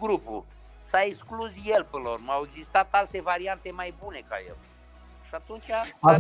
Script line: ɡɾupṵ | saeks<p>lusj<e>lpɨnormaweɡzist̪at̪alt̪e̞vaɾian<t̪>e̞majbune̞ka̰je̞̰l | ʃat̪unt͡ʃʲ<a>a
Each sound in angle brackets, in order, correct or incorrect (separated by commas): incorrect, correct, correct, correct